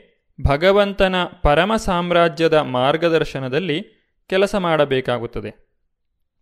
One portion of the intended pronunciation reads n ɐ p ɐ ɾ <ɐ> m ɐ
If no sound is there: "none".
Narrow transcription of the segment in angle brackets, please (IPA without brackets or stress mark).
ɐ